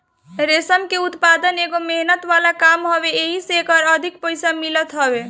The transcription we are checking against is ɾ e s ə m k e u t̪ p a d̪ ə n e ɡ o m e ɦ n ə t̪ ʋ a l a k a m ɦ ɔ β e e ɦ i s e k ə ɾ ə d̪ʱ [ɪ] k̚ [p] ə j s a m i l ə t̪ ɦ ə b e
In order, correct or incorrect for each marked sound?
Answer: incorrect, correct

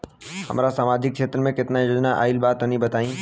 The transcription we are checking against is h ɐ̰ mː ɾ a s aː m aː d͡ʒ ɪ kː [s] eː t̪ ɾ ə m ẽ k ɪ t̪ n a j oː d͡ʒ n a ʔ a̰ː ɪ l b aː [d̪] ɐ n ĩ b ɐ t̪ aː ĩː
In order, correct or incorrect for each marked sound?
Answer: incorrect, incorrect

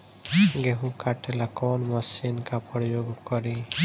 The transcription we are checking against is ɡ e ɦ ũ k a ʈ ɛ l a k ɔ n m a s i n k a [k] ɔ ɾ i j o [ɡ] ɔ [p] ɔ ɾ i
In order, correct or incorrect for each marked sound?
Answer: incorrect, correct, incorrect

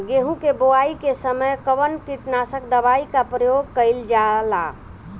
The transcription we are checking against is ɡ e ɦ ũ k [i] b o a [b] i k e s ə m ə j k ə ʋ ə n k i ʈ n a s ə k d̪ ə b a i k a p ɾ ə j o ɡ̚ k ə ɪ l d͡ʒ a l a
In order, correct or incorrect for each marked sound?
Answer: incorrect, incorrect

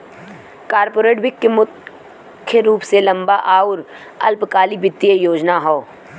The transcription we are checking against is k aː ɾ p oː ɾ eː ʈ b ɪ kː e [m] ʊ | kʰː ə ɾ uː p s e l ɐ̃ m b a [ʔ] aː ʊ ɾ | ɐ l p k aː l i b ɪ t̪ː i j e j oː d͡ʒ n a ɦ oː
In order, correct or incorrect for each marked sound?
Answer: correct, correct

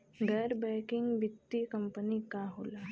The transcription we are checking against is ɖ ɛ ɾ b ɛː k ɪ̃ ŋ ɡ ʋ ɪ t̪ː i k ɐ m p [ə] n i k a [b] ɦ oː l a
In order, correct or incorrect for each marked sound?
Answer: correct, incorrect

